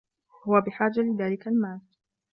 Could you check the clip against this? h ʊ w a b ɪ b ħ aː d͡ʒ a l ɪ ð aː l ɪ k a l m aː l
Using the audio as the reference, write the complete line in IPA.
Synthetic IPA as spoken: h ʊ w a b ɪ ħ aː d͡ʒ a l ɪ ð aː l ɪ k a l m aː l

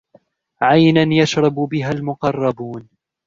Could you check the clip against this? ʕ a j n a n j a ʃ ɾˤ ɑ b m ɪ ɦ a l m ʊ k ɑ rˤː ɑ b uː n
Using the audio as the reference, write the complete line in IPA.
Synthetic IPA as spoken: ʕ a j n a n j a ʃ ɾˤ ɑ b b ɪ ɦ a l m ʊ q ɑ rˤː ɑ b uː n

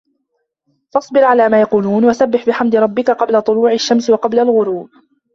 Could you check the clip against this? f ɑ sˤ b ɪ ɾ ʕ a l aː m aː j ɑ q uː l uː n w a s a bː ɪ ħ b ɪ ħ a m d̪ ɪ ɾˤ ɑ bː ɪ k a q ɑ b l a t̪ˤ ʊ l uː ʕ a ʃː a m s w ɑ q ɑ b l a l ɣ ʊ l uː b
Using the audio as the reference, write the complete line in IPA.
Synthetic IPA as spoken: f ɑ sˤ b ɪ ɾ ʕ a l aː m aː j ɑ q uː l uː n w a s a bː ɪ ħ b ɪ ħ a m d̪ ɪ ɾˤ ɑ bː ɪ k a q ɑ b l a t̪ˤ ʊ l uː ʕ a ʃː a m s w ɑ q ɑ b l a l ɣ ʊ ɾ uː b

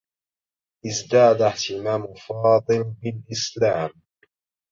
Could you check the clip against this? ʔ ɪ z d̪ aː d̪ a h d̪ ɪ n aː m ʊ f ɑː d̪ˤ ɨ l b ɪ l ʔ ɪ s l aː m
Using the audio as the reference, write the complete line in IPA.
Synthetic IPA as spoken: ʔ ɪ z d̪ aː d̪ a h t̪ ɪ m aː m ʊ f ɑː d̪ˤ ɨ l b ɪ l ʔ ɪ s l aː m

